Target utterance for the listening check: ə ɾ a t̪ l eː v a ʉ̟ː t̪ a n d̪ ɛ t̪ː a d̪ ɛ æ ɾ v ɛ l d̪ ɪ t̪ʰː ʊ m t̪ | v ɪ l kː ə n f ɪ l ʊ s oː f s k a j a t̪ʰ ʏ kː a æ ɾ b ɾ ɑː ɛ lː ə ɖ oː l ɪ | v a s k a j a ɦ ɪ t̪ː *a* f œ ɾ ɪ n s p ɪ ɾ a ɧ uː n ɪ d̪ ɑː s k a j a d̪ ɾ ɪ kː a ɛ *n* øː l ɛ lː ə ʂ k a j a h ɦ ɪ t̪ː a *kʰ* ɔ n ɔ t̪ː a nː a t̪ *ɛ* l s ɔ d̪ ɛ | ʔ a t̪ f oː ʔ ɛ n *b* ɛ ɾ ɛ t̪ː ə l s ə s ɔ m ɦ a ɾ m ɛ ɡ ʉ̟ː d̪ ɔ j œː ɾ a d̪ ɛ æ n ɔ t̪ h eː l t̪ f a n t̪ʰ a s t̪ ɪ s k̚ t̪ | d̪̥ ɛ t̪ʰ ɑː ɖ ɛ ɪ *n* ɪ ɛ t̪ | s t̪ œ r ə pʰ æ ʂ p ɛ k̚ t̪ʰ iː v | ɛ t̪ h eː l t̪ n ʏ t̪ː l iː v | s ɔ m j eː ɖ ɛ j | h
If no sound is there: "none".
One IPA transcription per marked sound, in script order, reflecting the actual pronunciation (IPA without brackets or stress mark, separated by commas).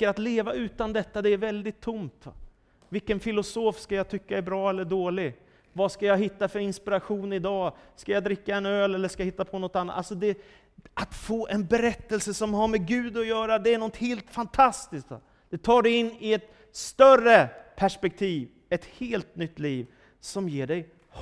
a, n, pʰ, a, b, nː